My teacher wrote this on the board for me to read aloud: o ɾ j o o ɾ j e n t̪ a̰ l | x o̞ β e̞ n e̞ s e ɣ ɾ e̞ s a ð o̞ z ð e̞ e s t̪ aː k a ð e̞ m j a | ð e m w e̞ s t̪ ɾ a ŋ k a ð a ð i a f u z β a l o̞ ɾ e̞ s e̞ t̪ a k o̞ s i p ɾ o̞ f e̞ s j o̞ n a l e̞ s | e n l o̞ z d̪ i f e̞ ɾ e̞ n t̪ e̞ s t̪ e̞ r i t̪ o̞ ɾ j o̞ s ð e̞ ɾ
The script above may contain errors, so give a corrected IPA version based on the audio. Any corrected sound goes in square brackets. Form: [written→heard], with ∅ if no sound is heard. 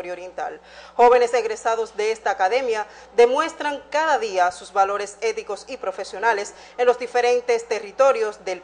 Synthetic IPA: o ɾ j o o ɾ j e n t̪ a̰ l | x o̞ β e̞ n e̞ s e ɣ ɾ e̞ s a ð o̞ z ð e̞ e s t̪ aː k a ð e̞ m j a | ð e m w e̞ s t̪ ɾ a ŋ k a ð a ð i a [f→s] u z β a l o̞ ɾ e̞ s e̞ t̪ [a→i] k o̞ s i p ɾ o̞ f e̞ s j o̞ n a l e̞ s | e n l o̞ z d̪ i f e̞ ɾ e̞ n t̪ e̞ s t̪ e̞ r i t̪ o̞ ɾ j o̞ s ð e̞ [ɾ→l]